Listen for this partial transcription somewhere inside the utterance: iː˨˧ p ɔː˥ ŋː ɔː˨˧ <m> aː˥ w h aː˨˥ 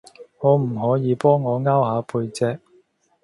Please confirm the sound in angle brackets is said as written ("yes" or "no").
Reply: no